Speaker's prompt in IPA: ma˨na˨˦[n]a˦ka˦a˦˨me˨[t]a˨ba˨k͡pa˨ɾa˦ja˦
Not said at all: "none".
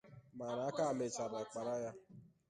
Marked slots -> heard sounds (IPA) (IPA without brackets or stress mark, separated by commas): none, t͡ʃ